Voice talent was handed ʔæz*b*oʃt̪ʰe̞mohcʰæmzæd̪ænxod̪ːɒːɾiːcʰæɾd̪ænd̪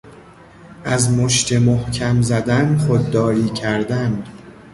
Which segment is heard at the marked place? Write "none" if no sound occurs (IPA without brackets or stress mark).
m